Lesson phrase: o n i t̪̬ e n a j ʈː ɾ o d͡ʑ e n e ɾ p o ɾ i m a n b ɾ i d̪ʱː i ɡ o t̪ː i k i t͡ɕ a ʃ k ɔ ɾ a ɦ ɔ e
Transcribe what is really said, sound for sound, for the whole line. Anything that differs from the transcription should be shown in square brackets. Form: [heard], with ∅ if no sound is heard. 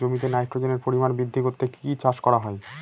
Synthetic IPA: o [m] i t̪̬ e n a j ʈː ɾ o d͡ʑ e n e ɾ p o ɾ i m a n b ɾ i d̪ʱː i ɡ o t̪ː [e] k i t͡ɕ a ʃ k ɔ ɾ a ɦ ɔ e

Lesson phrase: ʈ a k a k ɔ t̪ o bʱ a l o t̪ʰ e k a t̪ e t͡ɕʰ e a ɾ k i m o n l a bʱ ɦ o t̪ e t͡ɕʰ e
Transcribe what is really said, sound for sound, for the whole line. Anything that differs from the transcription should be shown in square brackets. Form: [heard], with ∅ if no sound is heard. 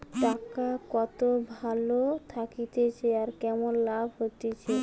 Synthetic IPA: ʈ a k a k ɔ t̪ o bʱ a l o t̪ʰ [a] k [i] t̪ e t͡ɕʰ e a ɾ k [ɛ] m o n l a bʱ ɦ o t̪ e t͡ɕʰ e

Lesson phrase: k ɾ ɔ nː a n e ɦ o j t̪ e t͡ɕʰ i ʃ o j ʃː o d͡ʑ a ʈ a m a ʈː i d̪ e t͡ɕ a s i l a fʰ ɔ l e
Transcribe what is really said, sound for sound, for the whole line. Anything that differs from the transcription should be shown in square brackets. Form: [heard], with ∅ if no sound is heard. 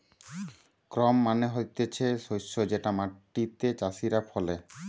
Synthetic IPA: k ɾ ɔ [mː] a n e ɦ o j t̪ e t͡ɕʰ [e] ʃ o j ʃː o d͡ʑ [e] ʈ a m a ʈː i [t̪] e t͡ɕ a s i [ɾ] a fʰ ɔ l e

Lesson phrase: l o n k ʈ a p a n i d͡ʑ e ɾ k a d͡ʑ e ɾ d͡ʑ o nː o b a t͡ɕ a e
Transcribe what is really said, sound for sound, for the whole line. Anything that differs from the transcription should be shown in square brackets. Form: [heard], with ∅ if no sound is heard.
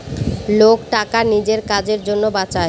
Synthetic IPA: l o [∅] k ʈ a [k] a n i d͡ʑ e ɾ k a d͡ʑ e ɾ d͡ʑ o nː o b a t͡ɕ a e

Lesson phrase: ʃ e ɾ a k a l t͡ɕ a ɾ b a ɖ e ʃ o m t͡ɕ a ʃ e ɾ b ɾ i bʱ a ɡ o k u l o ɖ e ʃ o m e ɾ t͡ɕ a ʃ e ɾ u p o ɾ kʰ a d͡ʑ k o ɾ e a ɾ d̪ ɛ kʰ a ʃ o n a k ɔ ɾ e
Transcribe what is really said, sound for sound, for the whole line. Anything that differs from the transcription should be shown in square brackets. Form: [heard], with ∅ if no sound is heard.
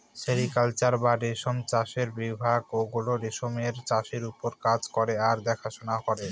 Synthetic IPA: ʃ e ɾ [i] k a l t͡ɕ a ɾ b a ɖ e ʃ o m t͡ɕ a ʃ e ɾ b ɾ i bʱ a ɡ o [ɡ] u l o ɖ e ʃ o m e ɾ t͡ɕ a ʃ e ɾ u p o ɾ [k] a d͡ʑ k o ɾ e a ɾ d̪ ɛ kʰ a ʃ o n a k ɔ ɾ e

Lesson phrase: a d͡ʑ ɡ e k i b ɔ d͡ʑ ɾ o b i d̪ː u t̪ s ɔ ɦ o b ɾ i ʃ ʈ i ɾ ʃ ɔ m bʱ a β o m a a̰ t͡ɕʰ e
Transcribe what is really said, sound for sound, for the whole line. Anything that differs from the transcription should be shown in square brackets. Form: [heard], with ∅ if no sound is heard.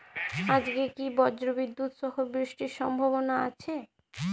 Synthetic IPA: a d͡ʑ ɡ e k i b ɔ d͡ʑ ɾ o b i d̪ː u t̪ [ʃ] ɔ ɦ o b ɾ i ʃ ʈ i ɾ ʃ ɔ m bʱ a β o [n] a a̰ t͡ɕʰ e

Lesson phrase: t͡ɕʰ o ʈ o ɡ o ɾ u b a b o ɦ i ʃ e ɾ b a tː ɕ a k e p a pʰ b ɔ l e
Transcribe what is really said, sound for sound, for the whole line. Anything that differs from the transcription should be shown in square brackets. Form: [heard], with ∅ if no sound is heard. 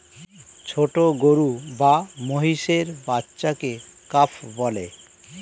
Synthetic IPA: t͡ɕʰ o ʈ o ɡ o ɾ u b a [m] o ɦ i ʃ e ɾ b a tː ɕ a k e [k] a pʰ b ɔ l e

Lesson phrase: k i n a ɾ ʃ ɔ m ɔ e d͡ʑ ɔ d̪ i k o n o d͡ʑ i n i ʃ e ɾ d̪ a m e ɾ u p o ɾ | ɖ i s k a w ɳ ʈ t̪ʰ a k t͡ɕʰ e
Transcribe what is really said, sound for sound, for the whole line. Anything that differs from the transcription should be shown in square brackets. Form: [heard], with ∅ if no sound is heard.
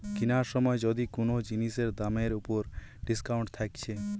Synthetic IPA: k i n a ɾ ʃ ɔ m ɔ e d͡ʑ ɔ d̪ i k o n o d͡ʑ i n i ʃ e ɾ d̪ a m e ɾ u p o ɾ | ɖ i s k a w ɳ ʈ t̪ʰ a k t͡ɕʰ e

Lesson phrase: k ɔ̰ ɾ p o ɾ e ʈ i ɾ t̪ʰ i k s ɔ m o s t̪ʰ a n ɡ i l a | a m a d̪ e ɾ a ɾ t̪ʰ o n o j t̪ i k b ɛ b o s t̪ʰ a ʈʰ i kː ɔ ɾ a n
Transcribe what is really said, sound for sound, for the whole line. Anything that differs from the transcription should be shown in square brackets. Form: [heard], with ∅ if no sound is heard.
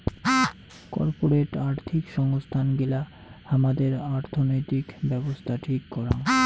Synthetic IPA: k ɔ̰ ɾ p o ɾ e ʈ [a] ɾ t̪ʰ i k [ʃ] ɔ [ŋ] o s t̪ʰ a n ɡ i l a | a m a d̪ e ɾ a ɾ t̪ʰ o n o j t̪ i k b ɛ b o s t̪ʰ a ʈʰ i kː ɔ ɾ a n

